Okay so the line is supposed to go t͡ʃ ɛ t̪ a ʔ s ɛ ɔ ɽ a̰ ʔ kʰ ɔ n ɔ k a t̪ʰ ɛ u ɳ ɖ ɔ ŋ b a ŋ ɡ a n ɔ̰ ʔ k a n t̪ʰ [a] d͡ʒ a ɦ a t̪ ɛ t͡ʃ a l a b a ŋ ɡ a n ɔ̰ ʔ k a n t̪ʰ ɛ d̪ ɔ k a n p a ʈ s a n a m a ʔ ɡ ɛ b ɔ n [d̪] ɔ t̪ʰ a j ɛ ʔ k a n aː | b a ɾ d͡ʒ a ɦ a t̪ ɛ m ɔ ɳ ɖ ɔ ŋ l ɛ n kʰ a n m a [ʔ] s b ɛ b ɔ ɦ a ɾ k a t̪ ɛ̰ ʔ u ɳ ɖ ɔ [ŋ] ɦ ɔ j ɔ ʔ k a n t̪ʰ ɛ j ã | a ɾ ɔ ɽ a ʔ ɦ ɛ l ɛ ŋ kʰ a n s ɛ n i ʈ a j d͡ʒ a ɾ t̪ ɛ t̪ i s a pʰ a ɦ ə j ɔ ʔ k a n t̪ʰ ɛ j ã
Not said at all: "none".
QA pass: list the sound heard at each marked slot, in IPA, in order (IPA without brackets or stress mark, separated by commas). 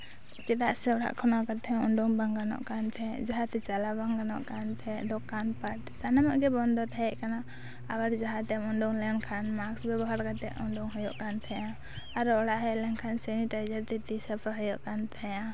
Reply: ɛ, d̪, k, ŋ